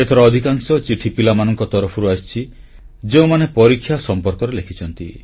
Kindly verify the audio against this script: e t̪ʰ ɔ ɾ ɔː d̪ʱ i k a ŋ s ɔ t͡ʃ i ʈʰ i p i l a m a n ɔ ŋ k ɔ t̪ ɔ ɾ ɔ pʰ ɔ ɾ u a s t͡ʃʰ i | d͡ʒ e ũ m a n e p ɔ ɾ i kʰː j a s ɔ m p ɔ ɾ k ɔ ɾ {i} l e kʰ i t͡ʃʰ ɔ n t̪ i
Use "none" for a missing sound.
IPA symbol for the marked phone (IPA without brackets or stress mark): e